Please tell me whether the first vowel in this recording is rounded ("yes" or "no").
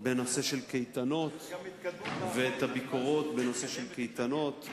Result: no